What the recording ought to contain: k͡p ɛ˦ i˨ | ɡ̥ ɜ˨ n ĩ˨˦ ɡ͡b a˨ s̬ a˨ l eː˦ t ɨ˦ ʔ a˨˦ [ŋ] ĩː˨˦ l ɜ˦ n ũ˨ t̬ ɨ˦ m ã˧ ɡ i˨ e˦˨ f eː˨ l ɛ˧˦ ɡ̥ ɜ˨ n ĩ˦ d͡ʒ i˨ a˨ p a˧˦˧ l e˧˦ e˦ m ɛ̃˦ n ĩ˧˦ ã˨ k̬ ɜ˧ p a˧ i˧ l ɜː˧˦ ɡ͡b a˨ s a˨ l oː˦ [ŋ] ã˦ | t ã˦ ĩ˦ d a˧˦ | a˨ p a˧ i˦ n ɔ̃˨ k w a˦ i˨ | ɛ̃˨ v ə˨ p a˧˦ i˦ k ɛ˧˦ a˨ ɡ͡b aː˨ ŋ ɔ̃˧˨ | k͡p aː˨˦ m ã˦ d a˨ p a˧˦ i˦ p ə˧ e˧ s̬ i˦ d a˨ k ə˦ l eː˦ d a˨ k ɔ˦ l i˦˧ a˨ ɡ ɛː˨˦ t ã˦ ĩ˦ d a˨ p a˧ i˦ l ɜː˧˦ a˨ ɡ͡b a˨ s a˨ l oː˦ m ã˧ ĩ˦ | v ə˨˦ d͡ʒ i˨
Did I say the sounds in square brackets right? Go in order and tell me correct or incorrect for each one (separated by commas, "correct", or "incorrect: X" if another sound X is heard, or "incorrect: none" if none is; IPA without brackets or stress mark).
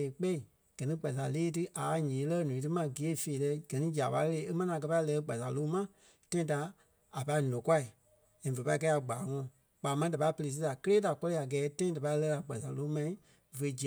incorrect: ɲ, incorrect: m